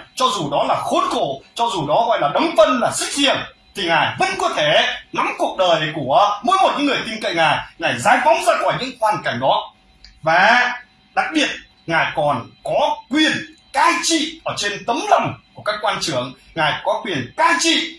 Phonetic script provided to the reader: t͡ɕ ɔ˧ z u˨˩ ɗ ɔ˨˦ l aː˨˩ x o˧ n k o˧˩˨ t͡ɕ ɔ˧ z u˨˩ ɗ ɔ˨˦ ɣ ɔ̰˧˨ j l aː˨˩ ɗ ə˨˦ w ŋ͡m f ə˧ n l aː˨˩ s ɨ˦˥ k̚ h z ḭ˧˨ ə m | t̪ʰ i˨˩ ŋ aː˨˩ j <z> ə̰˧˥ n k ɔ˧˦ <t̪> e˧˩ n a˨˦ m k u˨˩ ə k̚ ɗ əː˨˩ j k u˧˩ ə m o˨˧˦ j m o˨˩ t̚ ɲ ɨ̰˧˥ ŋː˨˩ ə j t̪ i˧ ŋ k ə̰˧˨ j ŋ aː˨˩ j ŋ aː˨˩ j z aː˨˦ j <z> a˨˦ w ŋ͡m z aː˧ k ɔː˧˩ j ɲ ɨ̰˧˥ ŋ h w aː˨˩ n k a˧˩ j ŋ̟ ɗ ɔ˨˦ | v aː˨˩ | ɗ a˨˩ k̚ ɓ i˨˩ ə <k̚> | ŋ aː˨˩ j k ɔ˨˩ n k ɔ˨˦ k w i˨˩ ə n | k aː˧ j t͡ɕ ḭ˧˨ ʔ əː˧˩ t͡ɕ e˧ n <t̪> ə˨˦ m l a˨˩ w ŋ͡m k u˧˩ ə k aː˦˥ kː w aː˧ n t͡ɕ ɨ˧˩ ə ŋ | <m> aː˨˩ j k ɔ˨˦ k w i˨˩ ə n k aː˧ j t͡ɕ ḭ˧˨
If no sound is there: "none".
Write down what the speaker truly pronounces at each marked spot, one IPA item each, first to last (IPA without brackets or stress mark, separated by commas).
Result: v, t̪ʰ, v, t̚, t̪, ŋ